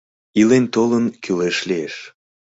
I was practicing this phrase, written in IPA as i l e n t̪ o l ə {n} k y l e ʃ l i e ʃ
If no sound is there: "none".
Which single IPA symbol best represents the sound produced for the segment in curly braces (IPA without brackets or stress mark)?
n